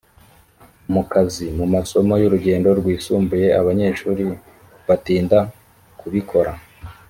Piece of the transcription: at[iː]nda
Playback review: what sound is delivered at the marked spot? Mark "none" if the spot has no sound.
iː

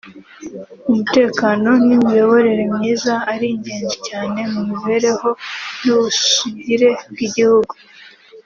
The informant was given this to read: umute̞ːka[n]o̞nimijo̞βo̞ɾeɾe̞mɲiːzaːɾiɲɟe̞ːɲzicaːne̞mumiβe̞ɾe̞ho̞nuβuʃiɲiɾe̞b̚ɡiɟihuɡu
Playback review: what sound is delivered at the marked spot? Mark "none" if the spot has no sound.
n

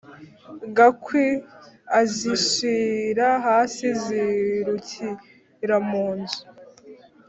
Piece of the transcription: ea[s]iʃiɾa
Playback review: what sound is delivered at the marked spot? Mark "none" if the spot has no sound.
z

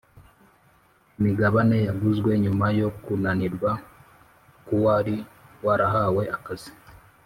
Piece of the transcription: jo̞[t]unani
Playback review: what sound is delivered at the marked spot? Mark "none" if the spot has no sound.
k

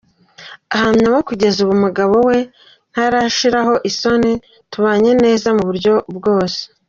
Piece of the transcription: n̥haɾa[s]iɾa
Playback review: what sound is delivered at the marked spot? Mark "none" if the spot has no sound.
ʃ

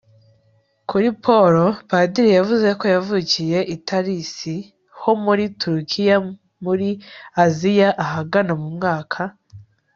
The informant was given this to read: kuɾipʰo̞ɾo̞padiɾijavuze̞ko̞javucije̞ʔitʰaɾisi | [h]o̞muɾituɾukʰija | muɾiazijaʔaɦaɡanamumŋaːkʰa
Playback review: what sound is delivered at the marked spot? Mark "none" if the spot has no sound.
h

